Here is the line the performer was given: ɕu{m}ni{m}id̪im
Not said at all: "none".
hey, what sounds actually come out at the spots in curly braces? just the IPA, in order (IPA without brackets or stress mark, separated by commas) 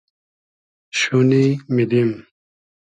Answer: none, m